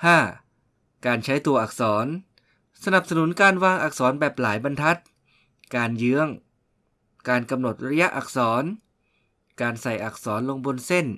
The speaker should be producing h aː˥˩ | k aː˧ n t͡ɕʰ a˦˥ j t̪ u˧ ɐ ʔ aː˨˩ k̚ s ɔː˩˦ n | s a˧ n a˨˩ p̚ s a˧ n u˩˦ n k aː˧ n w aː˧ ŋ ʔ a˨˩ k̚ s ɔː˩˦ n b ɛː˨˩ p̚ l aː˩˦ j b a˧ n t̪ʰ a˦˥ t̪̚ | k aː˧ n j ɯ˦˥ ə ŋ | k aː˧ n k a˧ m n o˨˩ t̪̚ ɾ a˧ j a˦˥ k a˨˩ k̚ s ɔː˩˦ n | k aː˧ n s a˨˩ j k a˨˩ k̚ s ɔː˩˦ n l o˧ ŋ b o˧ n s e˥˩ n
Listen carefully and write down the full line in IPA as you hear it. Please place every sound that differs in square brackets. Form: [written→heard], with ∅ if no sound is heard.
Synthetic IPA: h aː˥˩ | k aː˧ n t͡ɕʰ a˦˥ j t̪ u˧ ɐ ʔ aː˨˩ k̚ s ɔː˩˦ n | s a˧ n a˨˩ p̚ s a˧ n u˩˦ n k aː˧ n w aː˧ ŋ ʔ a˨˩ k̚ s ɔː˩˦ n b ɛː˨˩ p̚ l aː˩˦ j b a˧ n t̪ʰ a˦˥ t̪̚ | k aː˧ n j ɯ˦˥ ə ŋ | k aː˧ n k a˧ m n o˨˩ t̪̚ ɾ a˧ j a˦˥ [k→ʔ] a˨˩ k̚ s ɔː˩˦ n | k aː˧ n s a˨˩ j [k→ʔ] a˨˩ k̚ s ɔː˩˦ n l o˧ ŋ b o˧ n s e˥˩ n

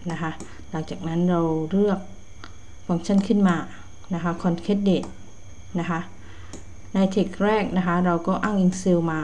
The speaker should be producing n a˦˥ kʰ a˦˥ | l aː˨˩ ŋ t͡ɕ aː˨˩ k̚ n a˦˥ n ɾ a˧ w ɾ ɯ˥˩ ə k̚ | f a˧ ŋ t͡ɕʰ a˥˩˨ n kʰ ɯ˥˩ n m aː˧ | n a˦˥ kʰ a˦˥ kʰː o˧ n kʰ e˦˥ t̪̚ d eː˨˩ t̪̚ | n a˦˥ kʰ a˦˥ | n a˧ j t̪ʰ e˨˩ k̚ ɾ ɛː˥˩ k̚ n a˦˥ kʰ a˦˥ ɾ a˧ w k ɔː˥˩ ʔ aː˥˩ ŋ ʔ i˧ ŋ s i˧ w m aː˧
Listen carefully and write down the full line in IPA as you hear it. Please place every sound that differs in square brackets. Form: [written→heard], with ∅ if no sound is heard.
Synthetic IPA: n a˦˥ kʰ a˦˥ | l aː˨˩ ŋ t͡ɕ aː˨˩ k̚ n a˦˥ n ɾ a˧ w ɾ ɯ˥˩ ə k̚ | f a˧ ŋ t͡ɕʰ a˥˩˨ n kʰ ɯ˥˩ n m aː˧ | n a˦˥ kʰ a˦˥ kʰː [o˧→ɔ˧] n kʰ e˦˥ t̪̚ d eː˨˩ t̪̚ | n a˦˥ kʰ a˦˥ | n a˧ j t̪ʰ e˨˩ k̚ ɾ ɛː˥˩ k̚ n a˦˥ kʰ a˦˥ ɾ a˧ w k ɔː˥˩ ʔ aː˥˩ ŋ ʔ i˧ ŋ s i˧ w m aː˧

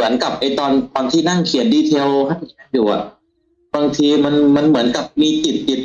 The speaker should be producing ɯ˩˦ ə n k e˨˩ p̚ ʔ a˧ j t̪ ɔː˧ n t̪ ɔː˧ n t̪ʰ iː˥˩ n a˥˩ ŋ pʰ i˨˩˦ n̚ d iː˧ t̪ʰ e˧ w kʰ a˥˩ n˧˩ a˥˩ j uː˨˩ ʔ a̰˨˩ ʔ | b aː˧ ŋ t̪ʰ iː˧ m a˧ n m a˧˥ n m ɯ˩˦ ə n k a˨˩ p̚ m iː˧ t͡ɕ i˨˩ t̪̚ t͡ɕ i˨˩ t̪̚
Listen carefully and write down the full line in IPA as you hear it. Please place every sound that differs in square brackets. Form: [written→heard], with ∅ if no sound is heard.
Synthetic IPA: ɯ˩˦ ə n k [e˨˩→a˨˩] p̚ ʔ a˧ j t̪ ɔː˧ n t̪ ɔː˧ n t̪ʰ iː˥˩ n a˥˩ ŋ [pʰ→kʰ] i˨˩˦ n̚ d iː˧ t̪ʰ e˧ w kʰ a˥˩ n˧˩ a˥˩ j uː˨˩ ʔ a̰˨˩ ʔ | b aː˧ ŋ t̪ʰ iː˧ m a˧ n m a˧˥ n m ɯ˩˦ ə n k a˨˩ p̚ m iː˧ t͡ɕ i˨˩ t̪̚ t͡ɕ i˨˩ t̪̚

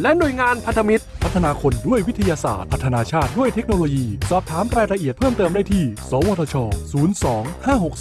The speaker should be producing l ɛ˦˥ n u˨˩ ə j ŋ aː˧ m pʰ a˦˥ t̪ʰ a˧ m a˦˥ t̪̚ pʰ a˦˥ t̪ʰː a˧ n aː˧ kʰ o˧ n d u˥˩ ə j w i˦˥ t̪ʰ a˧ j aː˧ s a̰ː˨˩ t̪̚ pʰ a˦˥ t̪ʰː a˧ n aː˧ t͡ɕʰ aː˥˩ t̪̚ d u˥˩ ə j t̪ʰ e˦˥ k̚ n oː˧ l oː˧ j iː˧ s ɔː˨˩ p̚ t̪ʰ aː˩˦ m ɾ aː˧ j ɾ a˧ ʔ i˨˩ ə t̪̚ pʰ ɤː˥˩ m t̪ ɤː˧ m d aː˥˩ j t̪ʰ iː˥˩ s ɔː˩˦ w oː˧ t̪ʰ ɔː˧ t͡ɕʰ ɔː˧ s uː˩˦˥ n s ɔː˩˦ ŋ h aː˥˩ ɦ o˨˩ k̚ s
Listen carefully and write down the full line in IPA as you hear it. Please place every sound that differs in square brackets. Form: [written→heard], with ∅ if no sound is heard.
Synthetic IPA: l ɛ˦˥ n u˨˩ ə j ŋ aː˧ [m→n] pʰ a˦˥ t̪ʰ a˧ m [a˦˥→i˦˥] t̪̚ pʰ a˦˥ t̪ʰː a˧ n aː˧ kʰ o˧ n d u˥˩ ə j w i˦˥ t̪ʰ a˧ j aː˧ s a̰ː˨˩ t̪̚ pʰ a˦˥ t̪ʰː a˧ n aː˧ t͡ɕʰ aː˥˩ t̪̚ d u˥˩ ə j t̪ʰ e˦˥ k̚ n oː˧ l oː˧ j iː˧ s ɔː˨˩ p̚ t̪ʰ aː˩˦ m ɾ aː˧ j ɾ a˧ ʔ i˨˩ ə t̪̚ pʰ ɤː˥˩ m t̪ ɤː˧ m d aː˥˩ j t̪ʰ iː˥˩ s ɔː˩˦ w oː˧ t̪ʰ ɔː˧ t͡ɕʰ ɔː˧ s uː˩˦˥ n s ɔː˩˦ ŋ h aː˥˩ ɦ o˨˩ k̚ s

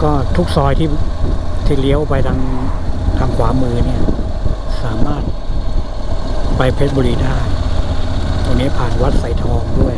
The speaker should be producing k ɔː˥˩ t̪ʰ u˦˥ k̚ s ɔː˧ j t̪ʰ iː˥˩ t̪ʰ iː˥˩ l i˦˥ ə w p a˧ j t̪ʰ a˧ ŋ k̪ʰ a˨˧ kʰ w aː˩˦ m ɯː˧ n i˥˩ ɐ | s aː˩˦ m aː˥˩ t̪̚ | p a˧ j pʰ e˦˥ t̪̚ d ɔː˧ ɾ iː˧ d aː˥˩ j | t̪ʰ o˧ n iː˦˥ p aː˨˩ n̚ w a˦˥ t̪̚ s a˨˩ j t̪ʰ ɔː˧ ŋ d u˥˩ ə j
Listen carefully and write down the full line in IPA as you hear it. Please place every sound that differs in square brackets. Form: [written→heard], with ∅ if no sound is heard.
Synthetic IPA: k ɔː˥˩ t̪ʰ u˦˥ k̚ s ɔː˧ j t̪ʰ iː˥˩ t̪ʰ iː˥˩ l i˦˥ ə w p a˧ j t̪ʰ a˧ ŋ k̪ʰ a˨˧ kʰ w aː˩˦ m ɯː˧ n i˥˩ ɐ | s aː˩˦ m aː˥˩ t̪̚ | p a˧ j pʰ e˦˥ t̪̚ [d→b] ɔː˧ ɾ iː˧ d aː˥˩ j | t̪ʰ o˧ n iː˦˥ [p→pʰ] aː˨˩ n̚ w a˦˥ t̪̚ s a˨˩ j t̪ʰ ɔː˧ ŋ d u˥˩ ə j

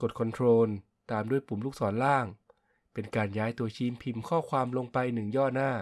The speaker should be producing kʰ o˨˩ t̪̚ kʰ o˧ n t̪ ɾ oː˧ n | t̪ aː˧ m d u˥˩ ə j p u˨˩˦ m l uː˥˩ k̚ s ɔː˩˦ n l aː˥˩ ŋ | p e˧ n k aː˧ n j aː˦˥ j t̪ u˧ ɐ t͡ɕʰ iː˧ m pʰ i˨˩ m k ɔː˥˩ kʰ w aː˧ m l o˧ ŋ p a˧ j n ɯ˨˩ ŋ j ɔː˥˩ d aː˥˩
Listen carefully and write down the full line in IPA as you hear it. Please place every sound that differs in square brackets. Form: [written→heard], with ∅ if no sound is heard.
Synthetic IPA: [kʰ→k] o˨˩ t̪̚ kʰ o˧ n [t̪→t̪ʰ] ɾ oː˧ n | t̪ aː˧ m d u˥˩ ə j p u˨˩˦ m l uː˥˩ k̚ s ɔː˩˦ n l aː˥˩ ŋ | p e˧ n k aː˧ n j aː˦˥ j t̪ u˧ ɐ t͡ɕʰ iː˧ m pʰ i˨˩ m [k→kʰ] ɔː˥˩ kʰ w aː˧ m l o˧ ŋ p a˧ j n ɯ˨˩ ŋ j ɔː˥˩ [d→n] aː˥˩

